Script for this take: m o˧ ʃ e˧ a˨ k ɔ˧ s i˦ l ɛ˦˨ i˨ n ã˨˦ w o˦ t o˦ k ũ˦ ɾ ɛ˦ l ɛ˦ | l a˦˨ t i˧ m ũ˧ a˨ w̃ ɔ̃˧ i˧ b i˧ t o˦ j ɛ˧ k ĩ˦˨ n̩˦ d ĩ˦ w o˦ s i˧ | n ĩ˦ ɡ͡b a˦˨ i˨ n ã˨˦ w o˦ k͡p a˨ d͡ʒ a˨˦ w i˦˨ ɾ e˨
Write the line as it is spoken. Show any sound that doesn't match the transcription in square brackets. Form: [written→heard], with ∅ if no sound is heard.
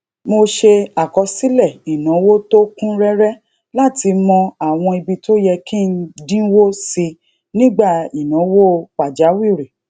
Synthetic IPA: m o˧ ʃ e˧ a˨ k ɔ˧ s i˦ l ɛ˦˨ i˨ n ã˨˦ w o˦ t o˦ k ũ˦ ɾ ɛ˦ [l→ɾ] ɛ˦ | l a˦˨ t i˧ m [ũ˧→ɔ̃˧] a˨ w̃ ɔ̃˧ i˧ b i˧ t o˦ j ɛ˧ k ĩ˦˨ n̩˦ d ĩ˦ w o˦ s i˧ | n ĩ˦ ɡ͡b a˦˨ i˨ n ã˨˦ w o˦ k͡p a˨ d͡ʒ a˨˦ w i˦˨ ɾ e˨